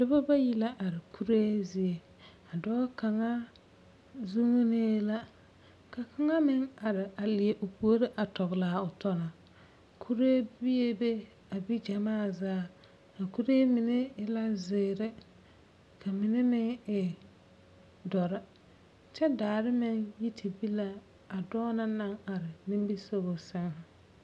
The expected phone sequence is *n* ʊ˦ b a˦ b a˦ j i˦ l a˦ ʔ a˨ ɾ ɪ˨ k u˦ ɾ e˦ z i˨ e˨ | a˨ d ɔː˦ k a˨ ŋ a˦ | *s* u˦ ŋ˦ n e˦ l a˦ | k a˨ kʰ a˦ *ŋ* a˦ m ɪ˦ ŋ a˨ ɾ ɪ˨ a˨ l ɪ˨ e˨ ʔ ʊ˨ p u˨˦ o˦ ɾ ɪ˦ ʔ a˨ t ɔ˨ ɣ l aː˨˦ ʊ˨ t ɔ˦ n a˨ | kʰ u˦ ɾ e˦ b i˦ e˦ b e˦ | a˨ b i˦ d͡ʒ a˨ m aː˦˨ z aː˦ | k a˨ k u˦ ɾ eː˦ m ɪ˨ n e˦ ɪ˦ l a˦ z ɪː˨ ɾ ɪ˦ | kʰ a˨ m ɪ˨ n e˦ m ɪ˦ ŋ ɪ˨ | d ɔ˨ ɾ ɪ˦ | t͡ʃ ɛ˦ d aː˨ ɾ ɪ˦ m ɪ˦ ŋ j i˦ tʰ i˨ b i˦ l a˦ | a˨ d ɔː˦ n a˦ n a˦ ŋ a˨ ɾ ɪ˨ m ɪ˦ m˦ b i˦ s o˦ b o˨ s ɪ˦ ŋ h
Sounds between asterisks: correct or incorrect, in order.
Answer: incorrect, incorrect, correct

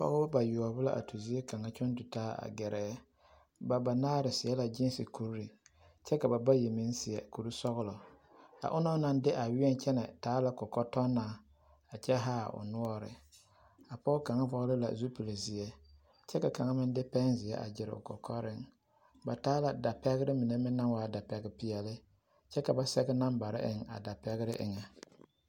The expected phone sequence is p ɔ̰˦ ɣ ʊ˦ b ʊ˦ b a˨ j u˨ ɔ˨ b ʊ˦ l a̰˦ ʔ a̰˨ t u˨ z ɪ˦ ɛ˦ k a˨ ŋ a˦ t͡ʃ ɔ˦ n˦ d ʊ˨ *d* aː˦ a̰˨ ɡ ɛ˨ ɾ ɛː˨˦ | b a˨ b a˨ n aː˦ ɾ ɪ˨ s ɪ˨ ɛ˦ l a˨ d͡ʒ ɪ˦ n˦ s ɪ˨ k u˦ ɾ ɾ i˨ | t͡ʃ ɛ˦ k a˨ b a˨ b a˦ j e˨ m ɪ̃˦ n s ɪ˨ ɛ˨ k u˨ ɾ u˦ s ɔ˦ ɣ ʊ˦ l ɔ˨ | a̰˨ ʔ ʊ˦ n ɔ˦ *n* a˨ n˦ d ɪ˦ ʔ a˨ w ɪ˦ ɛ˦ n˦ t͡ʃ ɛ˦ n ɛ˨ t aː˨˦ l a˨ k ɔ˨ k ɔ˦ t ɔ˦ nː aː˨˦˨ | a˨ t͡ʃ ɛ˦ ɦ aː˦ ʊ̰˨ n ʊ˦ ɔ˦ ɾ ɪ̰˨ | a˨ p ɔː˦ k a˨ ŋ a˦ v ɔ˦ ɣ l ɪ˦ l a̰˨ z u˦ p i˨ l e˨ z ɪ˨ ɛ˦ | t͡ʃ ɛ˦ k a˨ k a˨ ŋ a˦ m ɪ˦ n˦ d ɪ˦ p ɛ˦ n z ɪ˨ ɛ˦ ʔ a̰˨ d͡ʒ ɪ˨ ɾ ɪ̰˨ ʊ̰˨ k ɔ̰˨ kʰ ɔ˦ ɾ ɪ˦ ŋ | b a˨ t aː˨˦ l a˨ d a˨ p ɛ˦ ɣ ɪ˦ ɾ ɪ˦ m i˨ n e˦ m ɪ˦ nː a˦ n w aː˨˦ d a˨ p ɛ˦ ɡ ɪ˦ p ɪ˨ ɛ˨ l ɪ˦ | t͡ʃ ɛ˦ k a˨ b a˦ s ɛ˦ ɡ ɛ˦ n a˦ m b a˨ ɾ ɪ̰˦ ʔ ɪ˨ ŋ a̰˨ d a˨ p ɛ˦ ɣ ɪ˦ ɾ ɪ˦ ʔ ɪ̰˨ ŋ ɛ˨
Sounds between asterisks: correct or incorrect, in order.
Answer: incorrect, correct

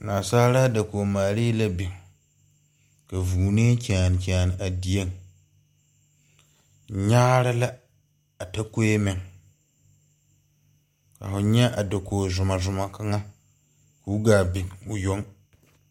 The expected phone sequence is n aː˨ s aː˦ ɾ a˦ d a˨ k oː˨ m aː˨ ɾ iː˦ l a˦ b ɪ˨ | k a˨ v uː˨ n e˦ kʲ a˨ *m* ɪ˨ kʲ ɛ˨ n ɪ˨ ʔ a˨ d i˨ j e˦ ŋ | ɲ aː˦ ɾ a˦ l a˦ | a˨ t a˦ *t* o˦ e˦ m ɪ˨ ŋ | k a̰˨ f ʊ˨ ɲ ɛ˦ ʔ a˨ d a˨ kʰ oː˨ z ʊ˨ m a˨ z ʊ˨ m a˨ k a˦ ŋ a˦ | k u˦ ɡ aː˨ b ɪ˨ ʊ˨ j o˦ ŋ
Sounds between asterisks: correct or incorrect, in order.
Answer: incorrect, incorrect

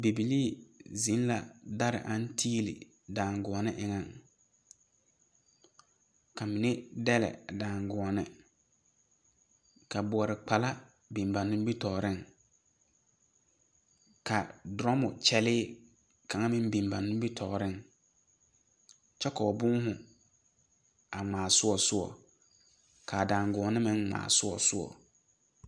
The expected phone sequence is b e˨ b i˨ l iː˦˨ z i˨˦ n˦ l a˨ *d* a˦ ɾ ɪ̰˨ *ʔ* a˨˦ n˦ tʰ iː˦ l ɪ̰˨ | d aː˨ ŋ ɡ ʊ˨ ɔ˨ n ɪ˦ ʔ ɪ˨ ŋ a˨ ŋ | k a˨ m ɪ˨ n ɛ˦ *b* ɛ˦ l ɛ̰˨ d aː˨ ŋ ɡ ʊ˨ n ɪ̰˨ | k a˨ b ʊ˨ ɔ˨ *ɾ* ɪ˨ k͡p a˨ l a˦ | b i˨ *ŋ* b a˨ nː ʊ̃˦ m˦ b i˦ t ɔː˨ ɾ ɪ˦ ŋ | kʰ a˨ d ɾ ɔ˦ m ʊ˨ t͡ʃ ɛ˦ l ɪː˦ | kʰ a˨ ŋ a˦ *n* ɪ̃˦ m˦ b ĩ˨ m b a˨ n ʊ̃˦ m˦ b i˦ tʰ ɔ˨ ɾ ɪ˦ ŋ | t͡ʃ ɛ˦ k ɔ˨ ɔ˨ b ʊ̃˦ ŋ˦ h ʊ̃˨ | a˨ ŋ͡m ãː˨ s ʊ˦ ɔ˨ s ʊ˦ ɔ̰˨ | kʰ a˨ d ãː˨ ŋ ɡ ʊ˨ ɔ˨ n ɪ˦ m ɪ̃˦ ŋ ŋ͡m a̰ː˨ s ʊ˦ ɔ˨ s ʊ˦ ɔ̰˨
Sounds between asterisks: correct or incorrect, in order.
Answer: correct, correct, incorrect, correct, incorrect, incorrect

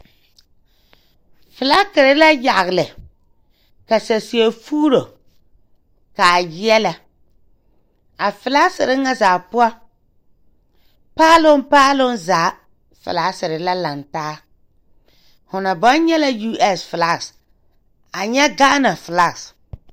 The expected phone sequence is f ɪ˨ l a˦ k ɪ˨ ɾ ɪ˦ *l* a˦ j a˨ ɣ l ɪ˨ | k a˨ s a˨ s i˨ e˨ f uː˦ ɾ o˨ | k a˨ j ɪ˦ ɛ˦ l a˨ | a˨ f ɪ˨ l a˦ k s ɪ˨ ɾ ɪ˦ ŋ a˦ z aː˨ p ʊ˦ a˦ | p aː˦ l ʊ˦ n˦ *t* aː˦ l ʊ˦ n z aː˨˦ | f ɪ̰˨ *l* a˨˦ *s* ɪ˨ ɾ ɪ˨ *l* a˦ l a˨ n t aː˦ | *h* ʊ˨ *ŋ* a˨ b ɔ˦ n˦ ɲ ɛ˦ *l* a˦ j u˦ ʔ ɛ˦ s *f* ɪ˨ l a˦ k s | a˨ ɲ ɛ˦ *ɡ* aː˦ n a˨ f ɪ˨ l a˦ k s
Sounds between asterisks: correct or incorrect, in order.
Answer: correct, incorrect, correct, correct, correct, correct, incorrect, correct, correct, correct

